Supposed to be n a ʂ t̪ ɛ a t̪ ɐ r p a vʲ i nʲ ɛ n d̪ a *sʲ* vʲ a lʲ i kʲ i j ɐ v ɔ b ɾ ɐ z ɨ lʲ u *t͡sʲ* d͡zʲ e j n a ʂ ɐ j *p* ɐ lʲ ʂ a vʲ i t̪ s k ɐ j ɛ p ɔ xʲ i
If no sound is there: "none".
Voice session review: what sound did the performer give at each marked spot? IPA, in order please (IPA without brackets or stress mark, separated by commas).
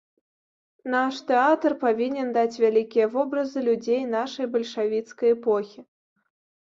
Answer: t͡sʲ, none, b